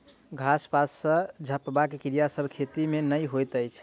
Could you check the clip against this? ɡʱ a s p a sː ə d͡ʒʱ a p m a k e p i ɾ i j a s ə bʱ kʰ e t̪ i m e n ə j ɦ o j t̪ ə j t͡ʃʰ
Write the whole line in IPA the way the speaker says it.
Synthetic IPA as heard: ɡʱ a s p a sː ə d͡ʒʱ ə p b a k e k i ɾ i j a s ə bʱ kʰ e t̪ i m e n ə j ɦ o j t̪ ə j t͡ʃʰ